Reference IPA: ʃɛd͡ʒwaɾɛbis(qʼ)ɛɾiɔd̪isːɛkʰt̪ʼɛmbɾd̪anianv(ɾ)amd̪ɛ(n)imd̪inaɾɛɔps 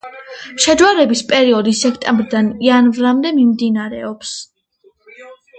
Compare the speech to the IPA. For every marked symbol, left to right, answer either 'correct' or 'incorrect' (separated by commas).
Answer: incorrect, correct, incorrect